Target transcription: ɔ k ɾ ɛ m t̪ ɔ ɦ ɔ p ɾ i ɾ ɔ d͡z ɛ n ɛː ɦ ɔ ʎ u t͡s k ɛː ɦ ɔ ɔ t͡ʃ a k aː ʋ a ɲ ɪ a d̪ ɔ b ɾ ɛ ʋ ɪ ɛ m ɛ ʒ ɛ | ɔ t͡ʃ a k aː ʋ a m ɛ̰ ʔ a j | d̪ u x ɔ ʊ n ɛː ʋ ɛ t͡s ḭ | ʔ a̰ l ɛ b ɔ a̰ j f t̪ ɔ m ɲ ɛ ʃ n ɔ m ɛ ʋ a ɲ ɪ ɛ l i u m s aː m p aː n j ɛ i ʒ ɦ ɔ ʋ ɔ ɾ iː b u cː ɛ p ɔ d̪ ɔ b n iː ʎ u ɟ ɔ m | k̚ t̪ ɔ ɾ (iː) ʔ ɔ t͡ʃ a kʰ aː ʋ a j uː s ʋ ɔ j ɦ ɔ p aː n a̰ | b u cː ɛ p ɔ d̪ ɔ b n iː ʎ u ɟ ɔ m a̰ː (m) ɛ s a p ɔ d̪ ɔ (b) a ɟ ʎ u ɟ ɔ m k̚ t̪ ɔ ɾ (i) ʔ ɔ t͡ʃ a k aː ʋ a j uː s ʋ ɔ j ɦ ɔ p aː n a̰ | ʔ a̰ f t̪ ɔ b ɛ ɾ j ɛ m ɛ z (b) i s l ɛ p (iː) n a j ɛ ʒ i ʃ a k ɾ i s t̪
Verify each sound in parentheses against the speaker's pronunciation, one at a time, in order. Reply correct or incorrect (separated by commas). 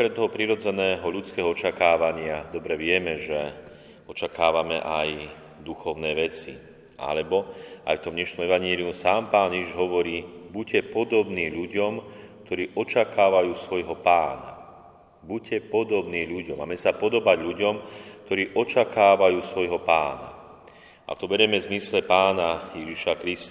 correct, correct, correct, incorrect, incorrect, incorrect